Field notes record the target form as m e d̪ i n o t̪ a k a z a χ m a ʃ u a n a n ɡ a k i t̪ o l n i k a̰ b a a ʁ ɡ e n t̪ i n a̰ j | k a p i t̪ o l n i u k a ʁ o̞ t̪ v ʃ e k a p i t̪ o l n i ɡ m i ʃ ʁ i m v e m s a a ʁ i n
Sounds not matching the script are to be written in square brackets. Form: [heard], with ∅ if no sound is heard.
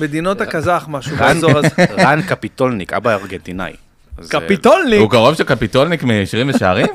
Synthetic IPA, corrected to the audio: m e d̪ i n o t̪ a k a z a χ m a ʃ u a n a n [k] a [p] i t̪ o l n i k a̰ b a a ʁ ɡ e n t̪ i n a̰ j | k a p i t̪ o l n i u k a ʁ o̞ [∅] v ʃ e k a p i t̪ o l n i [k] m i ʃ ʁ i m v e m [ʃ] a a ʁ i [m]